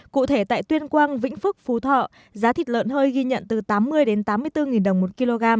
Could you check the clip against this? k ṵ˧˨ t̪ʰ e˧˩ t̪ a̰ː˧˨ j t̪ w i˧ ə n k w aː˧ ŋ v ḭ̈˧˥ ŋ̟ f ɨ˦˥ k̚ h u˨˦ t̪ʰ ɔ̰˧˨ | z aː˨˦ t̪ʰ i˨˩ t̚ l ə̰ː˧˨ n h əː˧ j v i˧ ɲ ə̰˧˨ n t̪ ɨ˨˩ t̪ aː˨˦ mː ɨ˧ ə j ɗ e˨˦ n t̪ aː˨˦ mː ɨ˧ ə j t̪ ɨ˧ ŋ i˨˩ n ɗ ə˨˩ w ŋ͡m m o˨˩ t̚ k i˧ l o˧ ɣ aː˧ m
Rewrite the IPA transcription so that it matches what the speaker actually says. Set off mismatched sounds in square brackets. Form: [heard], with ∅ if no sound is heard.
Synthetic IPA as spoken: k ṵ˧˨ t̪ʰ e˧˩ t̪ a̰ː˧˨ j t̪ w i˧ ə n k w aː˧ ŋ v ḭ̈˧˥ ŋ̟ f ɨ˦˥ k̚ [f] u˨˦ t̪ʰ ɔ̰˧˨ | z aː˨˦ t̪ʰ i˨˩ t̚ l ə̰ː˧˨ n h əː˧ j [ɣ] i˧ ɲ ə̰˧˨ n t̪ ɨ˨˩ t̪ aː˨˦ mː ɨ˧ ə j ɗ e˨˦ n t̪ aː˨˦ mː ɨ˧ ə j t̪ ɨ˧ ŋ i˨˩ n ɗ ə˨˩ w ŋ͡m m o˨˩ t̚ k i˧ l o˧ ɣ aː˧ m